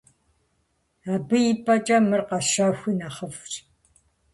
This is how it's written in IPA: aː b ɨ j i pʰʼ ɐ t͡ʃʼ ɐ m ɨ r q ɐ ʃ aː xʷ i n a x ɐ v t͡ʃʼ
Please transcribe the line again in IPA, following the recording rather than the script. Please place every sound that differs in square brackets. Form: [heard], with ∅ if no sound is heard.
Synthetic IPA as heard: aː b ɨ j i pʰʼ ɐ t͡ʃʼ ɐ m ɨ r q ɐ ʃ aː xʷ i n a [χ] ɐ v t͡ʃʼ